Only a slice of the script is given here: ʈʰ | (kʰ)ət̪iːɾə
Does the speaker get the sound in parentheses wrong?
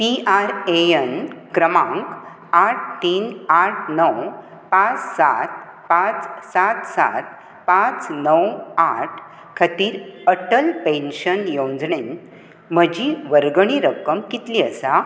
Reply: no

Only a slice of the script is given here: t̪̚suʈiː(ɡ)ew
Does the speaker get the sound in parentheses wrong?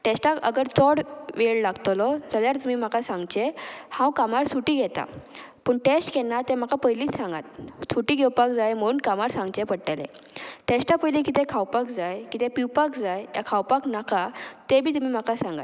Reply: no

